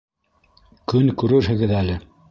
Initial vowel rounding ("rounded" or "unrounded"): rounded